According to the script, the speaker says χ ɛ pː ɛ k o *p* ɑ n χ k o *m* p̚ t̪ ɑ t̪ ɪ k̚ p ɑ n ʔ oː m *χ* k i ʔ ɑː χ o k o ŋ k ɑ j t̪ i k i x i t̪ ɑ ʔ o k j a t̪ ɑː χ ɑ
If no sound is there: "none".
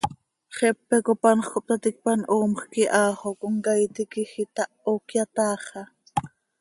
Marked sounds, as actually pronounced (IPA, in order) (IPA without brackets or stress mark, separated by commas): p, none, χ